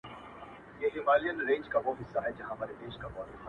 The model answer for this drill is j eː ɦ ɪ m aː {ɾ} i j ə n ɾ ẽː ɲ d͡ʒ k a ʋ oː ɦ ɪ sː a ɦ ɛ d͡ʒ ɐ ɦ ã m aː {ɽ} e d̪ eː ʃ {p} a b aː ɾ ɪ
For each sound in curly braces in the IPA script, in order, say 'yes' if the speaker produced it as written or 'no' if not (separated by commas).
no, no, no